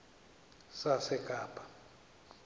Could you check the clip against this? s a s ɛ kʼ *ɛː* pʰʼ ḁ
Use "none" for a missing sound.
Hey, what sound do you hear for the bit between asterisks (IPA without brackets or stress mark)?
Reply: aː